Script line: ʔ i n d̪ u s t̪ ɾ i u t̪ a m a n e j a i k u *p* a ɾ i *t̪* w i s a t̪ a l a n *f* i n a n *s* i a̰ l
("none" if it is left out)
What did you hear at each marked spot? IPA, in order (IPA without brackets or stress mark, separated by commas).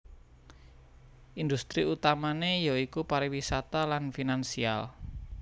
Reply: p, none, f, s